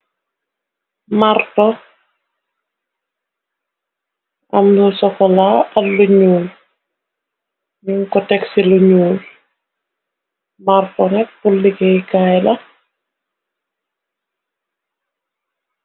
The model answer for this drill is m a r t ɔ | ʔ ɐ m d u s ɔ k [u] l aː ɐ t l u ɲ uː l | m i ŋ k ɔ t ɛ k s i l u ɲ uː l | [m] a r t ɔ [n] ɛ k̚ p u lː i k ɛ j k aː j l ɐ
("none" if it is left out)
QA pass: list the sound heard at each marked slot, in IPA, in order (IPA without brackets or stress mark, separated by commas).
ɔ, m, n